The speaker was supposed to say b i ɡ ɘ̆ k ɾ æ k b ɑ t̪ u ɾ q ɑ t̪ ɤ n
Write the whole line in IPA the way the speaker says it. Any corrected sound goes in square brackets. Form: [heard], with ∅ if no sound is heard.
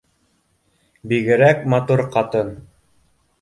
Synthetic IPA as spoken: b i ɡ ɘ̆ [∅] ɾ æ k [m] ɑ t̪ u ɾ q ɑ t̪ ɤ n